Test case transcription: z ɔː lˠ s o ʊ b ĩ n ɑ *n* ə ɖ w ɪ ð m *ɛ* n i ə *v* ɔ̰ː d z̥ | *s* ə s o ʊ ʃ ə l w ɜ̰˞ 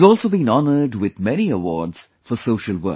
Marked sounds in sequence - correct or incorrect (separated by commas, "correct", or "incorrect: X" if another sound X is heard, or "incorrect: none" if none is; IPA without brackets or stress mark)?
correct, correct, incorrect: w, incorrect: f